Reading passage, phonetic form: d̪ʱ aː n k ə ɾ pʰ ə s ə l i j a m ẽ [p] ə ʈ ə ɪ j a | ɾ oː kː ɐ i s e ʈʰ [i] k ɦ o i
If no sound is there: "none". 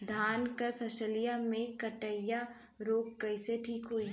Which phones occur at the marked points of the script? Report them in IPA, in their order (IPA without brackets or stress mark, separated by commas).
k, iː